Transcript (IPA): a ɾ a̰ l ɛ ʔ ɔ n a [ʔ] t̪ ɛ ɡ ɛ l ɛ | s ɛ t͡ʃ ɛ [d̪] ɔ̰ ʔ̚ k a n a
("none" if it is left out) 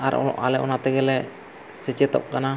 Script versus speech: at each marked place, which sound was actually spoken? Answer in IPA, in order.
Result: none, t̪

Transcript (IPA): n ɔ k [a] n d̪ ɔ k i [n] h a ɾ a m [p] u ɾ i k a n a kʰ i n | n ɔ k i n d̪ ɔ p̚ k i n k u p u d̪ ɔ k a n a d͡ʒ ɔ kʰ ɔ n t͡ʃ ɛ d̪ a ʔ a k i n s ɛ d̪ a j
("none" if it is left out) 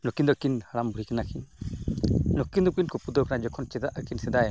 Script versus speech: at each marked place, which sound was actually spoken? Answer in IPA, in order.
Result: i, n, b

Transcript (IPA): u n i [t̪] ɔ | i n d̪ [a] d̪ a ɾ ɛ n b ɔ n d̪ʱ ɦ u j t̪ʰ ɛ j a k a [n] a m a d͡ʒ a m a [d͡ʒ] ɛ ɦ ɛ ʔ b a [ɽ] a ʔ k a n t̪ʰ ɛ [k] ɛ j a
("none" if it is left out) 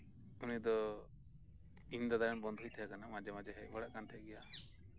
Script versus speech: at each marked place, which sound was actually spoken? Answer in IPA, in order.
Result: d̪, a, n, d͡ʒ, ɽ, ɡ

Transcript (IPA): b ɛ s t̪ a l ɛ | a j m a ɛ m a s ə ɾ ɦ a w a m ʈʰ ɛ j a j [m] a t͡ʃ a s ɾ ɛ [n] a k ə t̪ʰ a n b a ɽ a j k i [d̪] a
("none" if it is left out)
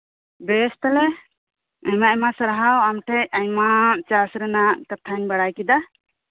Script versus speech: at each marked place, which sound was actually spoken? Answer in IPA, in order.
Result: m, n, d̪

